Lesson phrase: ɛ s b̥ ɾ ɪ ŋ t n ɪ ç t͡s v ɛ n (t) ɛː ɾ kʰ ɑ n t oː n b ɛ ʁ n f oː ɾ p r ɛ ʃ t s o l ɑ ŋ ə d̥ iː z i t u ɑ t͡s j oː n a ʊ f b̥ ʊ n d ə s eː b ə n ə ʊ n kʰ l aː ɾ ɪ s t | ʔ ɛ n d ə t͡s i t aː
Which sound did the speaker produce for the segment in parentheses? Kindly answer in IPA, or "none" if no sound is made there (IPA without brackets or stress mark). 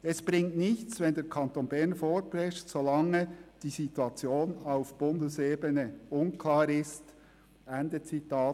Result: d